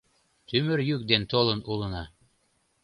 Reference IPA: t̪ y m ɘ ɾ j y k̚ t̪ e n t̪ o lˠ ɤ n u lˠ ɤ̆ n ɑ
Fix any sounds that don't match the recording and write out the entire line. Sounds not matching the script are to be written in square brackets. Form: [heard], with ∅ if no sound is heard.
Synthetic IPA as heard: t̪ y m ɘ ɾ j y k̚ [d̪] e n t̪ o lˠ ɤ n u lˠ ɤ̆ n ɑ